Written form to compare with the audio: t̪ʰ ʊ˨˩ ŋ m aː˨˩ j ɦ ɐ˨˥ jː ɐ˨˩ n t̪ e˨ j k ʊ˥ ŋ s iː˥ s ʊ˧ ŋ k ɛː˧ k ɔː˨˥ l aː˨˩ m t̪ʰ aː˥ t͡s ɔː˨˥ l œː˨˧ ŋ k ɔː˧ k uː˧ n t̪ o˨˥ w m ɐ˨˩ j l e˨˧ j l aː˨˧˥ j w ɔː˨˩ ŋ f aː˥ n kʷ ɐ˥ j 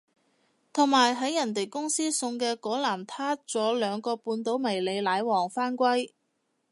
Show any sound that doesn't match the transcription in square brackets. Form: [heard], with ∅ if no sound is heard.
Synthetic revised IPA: t̪ʰ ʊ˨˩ ŋ m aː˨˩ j ɦ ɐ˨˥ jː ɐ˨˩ n t̪ e˨ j k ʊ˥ ŋ s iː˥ s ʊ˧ ŋ k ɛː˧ k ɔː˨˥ l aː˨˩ m t̪ʰ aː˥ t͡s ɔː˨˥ l œː˨˧ ŋ k ɔː˧ [p] uː˧ n t̪ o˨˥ w m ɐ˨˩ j l e˨˧ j l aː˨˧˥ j w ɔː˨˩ ŋ f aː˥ n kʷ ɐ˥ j